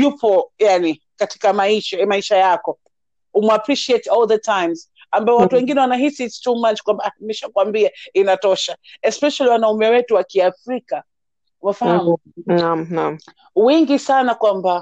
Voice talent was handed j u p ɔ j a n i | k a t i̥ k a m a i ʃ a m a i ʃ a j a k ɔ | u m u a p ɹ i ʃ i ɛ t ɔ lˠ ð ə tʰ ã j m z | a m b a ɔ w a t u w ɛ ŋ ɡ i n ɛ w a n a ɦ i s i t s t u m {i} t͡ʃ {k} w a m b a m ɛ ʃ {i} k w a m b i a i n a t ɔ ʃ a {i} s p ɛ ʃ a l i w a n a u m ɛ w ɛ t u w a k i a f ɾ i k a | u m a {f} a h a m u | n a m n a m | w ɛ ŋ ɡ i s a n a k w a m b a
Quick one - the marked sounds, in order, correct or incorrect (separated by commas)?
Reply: incorrect, correct, incorrect, incorrect, correct